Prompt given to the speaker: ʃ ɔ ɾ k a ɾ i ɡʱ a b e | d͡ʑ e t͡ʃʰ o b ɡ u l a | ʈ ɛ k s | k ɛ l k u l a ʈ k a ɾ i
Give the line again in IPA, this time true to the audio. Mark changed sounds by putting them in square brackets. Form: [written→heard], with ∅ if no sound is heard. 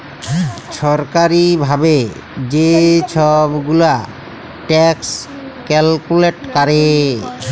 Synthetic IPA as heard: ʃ ɔ ɾ k a ɾ i [ɡʱ→bʱ] a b e | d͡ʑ e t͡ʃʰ [o→ɔ] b ɡ u l a | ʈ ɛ k s | k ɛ l k u l [a→e] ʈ k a ɾ [i→e]